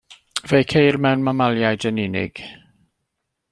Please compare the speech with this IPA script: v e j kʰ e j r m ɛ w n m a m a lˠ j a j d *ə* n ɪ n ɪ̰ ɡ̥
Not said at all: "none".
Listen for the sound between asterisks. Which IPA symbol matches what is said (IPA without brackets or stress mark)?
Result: ə